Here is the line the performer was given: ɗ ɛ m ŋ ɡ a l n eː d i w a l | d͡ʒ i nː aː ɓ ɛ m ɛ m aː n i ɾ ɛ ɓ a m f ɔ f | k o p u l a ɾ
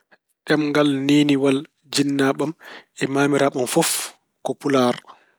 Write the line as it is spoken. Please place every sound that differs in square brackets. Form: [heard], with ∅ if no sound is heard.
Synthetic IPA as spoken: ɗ ɛ m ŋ ɡ a l n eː [n] i w a l | d͡ʒ i nː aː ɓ [a] m ɛ m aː [m] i ɾ [a] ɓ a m f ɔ f | k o p u l a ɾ